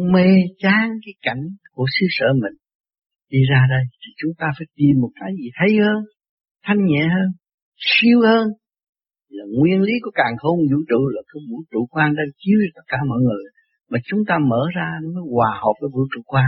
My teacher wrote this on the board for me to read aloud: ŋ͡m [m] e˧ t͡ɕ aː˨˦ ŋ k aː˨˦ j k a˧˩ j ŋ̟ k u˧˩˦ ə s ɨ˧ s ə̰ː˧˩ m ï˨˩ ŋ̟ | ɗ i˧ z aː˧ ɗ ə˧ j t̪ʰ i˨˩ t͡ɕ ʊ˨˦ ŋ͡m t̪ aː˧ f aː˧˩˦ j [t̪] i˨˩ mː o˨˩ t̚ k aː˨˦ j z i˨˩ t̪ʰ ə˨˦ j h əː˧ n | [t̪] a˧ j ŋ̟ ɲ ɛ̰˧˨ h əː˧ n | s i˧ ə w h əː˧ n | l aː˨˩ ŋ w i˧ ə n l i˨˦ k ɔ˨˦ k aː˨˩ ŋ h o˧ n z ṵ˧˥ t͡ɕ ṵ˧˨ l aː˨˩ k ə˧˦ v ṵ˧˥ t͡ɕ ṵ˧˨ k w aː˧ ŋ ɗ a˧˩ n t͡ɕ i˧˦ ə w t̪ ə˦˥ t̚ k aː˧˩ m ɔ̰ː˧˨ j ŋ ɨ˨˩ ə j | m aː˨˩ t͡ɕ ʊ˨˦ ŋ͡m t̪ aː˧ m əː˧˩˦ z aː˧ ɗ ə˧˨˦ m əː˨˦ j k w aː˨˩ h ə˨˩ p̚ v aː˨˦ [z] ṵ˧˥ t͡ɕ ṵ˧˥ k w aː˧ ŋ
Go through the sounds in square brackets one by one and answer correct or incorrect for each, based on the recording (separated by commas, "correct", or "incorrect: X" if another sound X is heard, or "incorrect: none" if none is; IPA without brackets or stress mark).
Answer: correct, correct, incorrect: t̪ʰ, incorrect: v